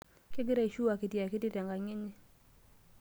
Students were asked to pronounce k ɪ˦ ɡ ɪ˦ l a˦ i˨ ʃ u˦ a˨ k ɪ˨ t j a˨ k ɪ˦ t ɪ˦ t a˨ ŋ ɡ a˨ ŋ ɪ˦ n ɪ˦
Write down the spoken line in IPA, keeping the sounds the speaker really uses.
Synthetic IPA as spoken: k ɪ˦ ɡ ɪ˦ ɾ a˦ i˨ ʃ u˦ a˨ k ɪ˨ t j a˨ k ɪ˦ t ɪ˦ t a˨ ŋ ɡ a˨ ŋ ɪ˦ ɲ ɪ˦

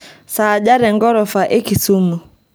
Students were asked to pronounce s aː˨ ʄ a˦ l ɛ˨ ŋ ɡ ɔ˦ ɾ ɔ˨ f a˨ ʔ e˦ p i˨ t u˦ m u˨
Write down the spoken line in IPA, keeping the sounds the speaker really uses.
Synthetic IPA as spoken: s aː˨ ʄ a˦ ɾ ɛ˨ ŋ ɡ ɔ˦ ɾ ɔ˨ f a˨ ʔ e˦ k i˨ s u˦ m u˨

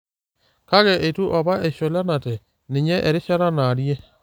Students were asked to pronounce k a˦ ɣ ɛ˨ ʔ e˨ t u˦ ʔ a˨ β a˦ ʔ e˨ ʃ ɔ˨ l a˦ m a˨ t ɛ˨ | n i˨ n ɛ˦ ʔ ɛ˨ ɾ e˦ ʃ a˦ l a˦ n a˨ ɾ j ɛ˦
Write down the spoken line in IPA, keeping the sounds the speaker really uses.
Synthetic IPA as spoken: k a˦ ɣ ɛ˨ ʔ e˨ t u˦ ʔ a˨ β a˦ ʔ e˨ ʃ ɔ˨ l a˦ n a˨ t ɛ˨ | n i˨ ɲ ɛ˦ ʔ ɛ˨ ɾ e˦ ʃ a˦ ɾ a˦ n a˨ ɾ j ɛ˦

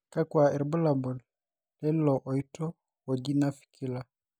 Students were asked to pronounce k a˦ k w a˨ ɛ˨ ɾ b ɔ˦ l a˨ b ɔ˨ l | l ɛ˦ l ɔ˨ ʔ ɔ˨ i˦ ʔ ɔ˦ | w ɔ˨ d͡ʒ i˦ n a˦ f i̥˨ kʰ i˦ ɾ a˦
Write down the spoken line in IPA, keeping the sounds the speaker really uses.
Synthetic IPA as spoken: k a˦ k w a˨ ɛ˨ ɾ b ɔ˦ l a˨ b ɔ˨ l | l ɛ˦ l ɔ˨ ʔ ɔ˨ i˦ t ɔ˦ | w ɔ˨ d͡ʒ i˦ n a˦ f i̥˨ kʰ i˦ l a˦

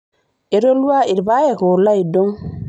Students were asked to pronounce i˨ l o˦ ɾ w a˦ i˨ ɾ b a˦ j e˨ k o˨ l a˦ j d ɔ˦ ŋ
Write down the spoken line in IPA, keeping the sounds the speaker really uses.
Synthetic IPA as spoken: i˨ ɾ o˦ l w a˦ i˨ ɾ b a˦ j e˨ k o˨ l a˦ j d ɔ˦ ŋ

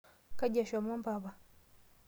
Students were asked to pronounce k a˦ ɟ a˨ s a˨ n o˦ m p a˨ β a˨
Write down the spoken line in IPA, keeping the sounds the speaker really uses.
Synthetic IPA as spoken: k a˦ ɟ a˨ ʃ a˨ m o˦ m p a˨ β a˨

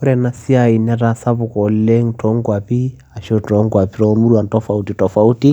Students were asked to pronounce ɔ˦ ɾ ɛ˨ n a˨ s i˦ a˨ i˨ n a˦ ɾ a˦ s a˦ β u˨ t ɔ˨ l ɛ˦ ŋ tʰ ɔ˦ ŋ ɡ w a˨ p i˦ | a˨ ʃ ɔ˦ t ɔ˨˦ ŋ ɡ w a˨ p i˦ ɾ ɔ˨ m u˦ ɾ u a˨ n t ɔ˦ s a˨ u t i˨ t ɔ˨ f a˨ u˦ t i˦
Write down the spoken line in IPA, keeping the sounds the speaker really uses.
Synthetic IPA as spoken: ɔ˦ ɾ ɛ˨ n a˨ s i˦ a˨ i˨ n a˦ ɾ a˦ s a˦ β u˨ k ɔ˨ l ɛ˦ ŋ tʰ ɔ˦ ŋ ɡ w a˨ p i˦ | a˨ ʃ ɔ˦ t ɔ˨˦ ŋ ɡ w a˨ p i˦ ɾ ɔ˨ m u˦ ɾ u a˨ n t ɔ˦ f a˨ u t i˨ t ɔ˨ f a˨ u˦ t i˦

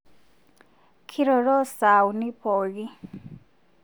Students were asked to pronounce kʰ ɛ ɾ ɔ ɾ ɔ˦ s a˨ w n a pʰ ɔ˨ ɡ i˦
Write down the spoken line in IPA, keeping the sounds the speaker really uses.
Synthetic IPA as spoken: kʰ i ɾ ɔ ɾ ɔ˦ s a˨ w n i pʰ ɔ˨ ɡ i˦

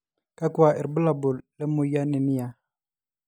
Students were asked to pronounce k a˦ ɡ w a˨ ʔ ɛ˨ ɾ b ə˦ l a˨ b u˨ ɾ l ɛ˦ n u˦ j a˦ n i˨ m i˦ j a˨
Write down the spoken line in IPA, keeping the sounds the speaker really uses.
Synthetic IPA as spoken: k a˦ k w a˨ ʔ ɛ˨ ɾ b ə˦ l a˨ b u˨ l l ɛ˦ m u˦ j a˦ n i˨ n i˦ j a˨

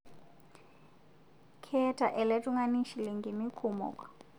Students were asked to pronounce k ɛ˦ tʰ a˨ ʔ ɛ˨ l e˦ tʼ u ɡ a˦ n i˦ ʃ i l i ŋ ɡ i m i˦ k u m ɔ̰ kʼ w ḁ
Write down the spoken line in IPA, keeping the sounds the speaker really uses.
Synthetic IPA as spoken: kʰ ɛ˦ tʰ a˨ ʔ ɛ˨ l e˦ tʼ u ŋ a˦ n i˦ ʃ i l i ŋ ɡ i m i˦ kʰ u m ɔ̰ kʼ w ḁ

